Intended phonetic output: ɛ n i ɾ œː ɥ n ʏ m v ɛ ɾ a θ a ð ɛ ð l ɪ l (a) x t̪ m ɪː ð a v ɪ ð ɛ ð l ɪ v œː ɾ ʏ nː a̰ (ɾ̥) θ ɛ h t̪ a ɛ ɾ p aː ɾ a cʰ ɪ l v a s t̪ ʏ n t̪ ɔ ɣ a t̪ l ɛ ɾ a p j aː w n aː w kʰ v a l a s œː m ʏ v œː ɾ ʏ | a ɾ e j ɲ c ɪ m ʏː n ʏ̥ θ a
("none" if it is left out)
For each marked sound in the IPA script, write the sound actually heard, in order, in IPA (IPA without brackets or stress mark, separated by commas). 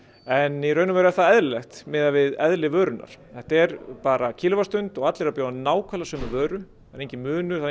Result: ɛ, ɾ̥